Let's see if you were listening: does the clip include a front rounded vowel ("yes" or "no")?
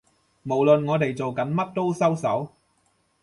no